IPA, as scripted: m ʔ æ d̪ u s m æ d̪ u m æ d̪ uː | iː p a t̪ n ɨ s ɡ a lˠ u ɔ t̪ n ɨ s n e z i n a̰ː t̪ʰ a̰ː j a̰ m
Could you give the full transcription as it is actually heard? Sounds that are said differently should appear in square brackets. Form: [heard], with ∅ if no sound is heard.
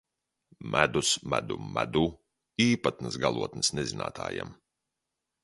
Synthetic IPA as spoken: m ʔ æ d̪ u s m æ d̪ u m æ d̪ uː | iː p a t̪ n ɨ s ɡ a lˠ u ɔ t̪ n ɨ s n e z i n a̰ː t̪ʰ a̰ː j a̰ m